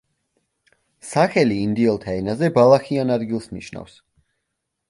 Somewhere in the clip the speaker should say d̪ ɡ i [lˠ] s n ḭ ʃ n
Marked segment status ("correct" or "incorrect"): correct